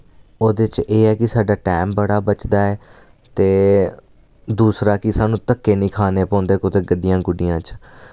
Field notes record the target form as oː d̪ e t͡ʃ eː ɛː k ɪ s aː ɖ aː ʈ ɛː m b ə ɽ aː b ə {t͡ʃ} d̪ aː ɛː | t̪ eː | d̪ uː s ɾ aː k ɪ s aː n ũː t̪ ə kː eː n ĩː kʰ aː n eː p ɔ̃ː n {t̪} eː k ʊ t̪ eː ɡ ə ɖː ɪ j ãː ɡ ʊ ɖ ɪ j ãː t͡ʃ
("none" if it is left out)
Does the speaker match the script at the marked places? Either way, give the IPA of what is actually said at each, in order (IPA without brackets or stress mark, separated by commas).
t͡ʃ, d̪